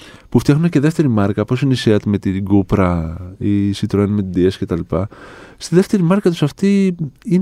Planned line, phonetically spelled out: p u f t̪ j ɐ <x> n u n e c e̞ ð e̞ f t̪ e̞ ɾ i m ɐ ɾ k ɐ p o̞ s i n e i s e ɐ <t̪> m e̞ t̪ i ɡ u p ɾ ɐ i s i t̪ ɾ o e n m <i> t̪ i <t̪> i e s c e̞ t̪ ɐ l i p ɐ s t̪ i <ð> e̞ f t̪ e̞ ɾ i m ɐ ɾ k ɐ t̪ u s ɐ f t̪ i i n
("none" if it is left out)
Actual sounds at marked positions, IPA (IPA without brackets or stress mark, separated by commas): x, t̪, e, d̪, ð